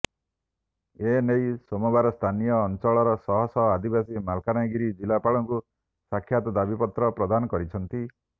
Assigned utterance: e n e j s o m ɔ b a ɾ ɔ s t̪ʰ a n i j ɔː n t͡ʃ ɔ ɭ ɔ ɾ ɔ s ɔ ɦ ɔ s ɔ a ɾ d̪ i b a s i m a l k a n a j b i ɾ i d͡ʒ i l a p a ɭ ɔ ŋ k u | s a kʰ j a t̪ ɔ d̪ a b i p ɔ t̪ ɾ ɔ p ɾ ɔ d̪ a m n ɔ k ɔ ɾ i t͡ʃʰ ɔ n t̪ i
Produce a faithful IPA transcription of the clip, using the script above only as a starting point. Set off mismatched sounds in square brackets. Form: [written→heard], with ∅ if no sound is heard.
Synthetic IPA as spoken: e n e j s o m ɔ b a ɾ ɔ s t̪ʰ a n i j ɔː n t͡ʃ ɔ ɭ ɔ ɾ ɔ s ɔ ɦ ɔ s ɔ a [ɾ→∅] d̪ i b a s i m a l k a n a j [b→ɡ] i ɾ i d͡ʒ i l a p a ɭ ɔ ŋ k u | s a kʰ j a t̪ ɔ d̪ a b i p ɔ t̪ ɾ ɔ p ɾ ɔ d̪ a [m→∅] n ɔ k ɔ ɾ i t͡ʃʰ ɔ n t̪ i